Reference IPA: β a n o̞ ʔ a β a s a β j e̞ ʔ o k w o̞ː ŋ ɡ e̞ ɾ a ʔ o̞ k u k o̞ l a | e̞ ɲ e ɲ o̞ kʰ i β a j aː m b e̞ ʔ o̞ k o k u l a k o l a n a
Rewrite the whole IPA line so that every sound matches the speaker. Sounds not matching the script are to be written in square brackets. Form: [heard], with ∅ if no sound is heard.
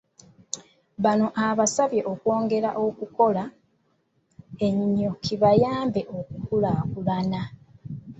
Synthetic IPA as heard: β a n o̞ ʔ a β a s a β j e̞ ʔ o k w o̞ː ŋ ɡ e̞ ɾ a ʔ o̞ k u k o̞ l a | e̞ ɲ [i] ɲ o̞ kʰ i β a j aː m b e̞ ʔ o̞ k [u] k u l a k [u] l a n a

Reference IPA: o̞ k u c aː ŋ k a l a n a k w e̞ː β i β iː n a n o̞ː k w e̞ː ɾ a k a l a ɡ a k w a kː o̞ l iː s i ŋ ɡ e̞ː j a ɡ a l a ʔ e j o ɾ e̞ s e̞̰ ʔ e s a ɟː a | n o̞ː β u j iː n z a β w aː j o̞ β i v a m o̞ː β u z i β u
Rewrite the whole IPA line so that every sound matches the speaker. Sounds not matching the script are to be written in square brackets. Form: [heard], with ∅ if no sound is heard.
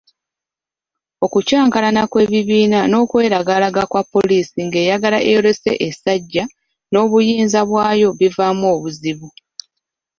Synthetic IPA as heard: o̞ k u c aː ŋ k a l a n a k w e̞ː β i β iː n a n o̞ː k w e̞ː ɾ a [ɡ] a l a ɡ a k w a [pː] o̞ l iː s i ŋ ɡ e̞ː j a ɡ a l a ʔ e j o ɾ e̞ s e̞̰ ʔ e s a ɟː a | n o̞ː β u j iː n z a β w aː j o̞ β i v a m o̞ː β u z i β u

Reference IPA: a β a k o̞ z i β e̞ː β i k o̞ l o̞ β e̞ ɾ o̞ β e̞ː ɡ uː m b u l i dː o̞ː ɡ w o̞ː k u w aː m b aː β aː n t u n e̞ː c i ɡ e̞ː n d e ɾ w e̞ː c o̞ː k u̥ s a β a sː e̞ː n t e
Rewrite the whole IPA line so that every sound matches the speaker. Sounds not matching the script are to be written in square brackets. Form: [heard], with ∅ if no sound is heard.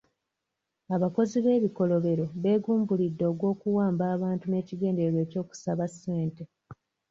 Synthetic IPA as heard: a β a k o̞ z i β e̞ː β i k o̞ l o̞ β e̞ ɾ o̞ β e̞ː ɡ uː m b u l i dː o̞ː ɡ w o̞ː k u w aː m b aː β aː n t u n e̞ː c i ɡ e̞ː n d e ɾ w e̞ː c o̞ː k u̥ s a β a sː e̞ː n t e

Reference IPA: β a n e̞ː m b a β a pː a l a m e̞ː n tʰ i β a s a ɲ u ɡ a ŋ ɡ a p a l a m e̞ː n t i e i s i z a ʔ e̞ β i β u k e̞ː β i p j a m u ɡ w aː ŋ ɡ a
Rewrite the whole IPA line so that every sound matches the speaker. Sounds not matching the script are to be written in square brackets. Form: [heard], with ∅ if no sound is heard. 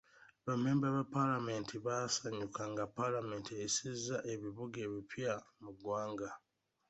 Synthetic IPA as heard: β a [m] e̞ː m b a β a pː a l a m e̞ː n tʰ i β a s a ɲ u [k] a ŋ ɡ a p a l a m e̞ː n t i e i s i z a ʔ e̞ β i β u [ɡ] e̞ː β i p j a m u ɡ w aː ŋ ɡ a

